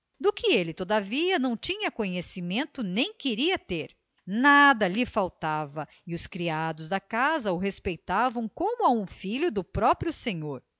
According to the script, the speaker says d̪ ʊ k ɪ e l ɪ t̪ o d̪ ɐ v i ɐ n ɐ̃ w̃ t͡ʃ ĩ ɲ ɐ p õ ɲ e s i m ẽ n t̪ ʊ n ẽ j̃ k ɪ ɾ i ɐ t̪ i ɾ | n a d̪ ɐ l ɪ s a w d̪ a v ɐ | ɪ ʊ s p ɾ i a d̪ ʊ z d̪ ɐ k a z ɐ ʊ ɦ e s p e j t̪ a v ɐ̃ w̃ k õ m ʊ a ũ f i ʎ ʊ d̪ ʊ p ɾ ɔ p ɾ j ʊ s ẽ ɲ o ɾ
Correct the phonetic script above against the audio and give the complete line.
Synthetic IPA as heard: d̪ ʊ k ɪ e l ɪ t̪ o d̪ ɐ v i ɐ n ɐ̃ w̃ t͡ʃ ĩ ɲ ɐ k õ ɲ e s i m ẽ n t̪ ʊ n ẽ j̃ k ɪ ɾ i ɐ t̪ e ɾ | n a d̪ ɐ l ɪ f a w t̪ a v ɐ | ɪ ʊ s k ɾ i a d̪ ʊ z d̪ ɐ k a z ɐ ʊ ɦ e s p e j t̪ a v ɐ̃ w̃ k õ m ʊ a ũ f i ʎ ʊ d̪ ʊ p ɾ ɔ p ɾ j ʊ s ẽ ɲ o ɾ